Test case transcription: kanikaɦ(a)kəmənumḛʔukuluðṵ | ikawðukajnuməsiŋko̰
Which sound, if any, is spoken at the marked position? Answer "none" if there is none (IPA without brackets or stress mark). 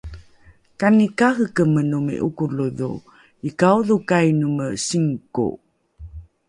ə